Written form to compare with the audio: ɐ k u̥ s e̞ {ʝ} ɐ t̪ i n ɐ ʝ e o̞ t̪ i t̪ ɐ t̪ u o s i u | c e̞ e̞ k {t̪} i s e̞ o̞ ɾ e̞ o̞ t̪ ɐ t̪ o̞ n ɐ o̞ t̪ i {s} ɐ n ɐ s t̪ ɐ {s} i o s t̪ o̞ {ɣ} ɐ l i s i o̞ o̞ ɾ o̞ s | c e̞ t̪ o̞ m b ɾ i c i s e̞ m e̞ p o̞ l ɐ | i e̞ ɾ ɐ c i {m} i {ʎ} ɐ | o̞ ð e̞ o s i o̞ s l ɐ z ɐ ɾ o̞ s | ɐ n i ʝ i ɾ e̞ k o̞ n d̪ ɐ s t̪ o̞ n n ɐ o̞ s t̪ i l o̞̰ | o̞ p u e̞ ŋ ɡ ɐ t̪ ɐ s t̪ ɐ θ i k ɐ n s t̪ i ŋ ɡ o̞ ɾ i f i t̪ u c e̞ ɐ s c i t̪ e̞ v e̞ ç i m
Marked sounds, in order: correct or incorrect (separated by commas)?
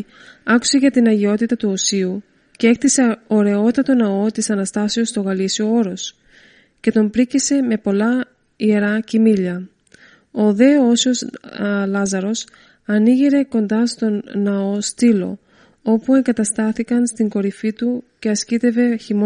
correct, correct, correct, correct, correct, correct, correct